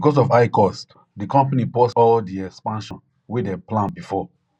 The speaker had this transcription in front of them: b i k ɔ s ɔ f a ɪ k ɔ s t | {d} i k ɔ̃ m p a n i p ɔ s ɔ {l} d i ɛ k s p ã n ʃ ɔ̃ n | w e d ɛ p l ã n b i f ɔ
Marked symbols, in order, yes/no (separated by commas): yes, yes